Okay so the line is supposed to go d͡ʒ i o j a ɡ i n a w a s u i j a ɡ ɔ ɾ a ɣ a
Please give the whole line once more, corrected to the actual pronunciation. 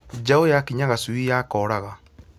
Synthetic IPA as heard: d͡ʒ a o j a k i ɲ a ɣ a s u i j a k ɔ ɾ a ɣ a